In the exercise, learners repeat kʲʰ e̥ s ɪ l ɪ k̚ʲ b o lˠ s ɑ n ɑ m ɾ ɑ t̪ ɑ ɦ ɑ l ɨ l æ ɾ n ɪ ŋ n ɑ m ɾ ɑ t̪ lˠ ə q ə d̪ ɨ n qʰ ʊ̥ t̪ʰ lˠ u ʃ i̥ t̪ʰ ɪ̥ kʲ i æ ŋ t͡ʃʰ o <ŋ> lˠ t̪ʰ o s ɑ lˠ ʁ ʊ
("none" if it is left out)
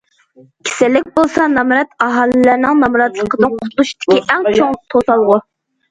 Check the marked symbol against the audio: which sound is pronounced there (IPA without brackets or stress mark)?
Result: ŋ